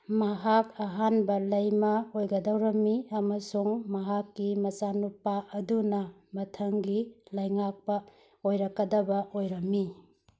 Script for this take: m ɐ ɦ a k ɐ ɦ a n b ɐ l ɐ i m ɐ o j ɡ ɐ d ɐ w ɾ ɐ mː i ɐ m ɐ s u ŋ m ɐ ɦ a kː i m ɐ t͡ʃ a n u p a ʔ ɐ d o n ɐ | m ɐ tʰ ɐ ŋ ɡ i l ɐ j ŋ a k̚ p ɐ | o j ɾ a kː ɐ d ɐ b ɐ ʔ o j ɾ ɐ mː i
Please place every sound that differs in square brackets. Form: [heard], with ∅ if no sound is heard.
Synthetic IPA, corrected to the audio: m ɐ ɦ a k ɐ ɦ a n b ɐ l ɐ [j] m ɐ o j ɡ ɐ d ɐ w ɾ ɐ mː i ɐ m ɐ s u ŋ m ɐ ɦ a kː i m ɐ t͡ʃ a n u p a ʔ ɐ d [u] n ɐ | m ɐ tʰ ɐ ŋ ɡ i l ɐ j ŋ a k̚ p ɐ | o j ɾ [ɐ] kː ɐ d ɐ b ɐ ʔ o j ɾ ɐ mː i